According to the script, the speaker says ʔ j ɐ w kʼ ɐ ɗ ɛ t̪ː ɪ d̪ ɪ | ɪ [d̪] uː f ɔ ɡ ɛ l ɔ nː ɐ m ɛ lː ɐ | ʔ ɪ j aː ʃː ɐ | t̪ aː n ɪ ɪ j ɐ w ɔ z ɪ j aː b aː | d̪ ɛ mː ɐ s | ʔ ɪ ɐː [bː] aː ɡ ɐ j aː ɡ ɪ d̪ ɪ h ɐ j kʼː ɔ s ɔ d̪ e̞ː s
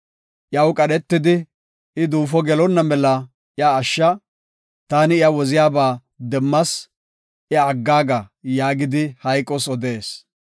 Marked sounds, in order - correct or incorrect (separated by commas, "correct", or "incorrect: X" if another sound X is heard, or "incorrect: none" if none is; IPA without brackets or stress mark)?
correct, incorrect: ɡː